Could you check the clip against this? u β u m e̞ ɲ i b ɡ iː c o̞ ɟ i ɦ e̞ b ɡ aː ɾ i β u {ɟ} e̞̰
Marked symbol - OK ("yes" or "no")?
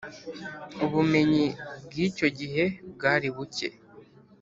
no